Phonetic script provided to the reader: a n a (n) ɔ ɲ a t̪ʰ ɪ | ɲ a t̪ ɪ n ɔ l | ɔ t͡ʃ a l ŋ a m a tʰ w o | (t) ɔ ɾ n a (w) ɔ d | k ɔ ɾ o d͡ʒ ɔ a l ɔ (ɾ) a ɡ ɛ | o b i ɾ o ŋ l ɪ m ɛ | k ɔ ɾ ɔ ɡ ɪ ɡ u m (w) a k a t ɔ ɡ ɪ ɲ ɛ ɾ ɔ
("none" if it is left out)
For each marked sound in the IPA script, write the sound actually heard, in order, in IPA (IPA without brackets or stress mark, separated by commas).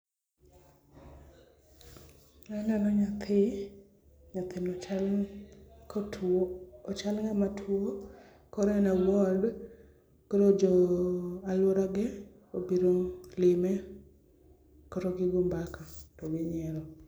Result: n, k, w, ɾ, b